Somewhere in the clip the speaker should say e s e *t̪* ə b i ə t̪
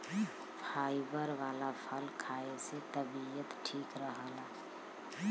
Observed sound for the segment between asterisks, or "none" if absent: t̪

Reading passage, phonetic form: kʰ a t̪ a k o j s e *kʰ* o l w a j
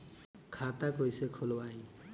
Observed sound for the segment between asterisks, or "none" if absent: kʰ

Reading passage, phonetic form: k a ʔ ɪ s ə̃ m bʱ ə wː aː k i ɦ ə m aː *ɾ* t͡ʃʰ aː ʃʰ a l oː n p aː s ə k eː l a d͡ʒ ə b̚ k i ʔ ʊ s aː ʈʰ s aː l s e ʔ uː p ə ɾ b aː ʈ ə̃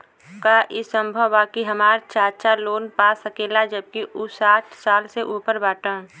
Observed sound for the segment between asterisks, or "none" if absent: ɾ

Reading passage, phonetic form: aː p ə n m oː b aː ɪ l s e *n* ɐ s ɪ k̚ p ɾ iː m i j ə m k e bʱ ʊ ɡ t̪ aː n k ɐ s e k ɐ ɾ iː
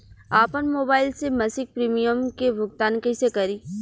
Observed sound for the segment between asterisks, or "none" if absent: m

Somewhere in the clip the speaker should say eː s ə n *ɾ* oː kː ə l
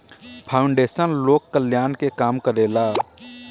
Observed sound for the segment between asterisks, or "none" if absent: l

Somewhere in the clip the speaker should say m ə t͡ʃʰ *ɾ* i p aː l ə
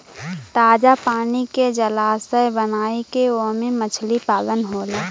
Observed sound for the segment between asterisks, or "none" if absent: l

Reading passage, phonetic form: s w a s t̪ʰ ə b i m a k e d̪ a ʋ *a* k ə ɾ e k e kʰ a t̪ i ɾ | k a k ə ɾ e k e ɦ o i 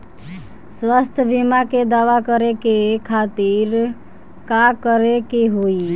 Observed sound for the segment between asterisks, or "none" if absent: a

